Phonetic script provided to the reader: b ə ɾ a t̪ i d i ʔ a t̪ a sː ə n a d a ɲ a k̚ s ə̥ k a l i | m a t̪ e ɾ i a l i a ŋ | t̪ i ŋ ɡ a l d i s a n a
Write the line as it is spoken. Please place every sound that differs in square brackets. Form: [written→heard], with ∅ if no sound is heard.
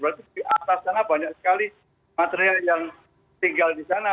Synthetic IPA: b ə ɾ a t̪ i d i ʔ a t̪ a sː [ə→a] n a [d→b] a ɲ a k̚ s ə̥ k a l i | m a t̪ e ɾ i a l [i→j] a ŋ | t̪ i ŋ ɡ a l d i s a n a